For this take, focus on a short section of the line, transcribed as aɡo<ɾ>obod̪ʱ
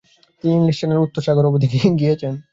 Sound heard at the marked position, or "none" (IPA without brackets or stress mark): ɾ